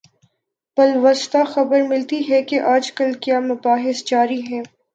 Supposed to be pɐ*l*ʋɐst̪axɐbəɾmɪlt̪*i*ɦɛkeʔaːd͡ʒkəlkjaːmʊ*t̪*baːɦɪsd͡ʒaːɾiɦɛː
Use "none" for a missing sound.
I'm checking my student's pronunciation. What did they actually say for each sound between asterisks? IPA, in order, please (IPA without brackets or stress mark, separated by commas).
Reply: l, i, none